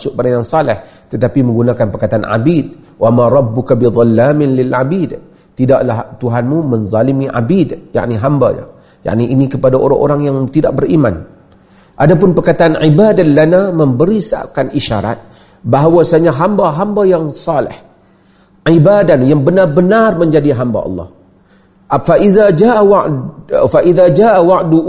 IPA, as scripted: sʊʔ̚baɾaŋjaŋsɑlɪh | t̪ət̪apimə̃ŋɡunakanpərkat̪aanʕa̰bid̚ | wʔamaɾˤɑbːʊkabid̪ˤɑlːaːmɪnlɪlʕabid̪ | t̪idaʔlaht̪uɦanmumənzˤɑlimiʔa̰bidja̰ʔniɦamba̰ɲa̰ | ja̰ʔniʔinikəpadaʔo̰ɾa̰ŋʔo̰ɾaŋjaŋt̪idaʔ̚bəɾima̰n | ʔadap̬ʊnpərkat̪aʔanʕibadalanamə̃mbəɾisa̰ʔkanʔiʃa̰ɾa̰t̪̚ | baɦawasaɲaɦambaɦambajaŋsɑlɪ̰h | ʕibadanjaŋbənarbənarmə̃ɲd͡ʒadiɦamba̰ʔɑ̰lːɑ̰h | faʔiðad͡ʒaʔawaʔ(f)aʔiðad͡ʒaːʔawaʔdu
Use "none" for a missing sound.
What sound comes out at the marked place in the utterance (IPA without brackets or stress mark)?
f